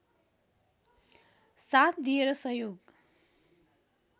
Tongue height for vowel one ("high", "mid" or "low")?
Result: low